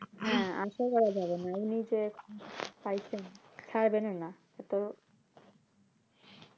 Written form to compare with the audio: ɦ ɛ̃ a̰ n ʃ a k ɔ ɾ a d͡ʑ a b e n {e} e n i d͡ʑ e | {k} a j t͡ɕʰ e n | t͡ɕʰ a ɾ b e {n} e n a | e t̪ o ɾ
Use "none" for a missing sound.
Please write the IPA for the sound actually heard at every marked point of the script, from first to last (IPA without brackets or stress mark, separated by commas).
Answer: a, p, n